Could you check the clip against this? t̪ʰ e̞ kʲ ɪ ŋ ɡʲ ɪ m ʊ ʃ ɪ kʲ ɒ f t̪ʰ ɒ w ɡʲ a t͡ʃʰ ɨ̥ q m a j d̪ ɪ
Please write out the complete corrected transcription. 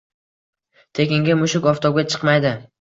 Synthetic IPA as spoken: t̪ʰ e̞ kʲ ɪ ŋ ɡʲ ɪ m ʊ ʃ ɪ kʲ ɒ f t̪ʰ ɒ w ɡʲ a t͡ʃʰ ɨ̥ q m a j d̪ ɪ